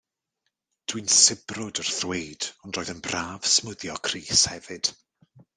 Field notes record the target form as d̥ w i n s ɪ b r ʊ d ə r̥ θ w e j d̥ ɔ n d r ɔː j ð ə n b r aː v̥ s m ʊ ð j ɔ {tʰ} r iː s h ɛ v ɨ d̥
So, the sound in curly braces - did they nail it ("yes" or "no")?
no